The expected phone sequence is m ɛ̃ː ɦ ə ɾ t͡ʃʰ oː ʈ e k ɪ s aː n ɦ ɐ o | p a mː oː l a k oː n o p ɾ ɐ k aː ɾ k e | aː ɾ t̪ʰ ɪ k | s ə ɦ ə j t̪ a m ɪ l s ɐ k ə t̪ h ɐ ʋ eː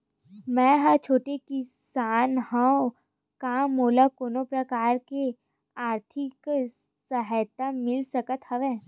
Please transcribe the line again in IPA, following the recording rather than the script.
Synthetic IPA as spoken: m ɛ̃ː ɦ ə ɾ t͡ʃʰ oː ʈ e k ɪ s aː n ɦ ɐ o | k a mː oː l a k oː n o p ɾ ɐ k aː ɾ k e | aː ɾ t̪ʰ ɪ k | s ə ɦ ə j t̪ a m ɪ l s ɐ k ə t̪ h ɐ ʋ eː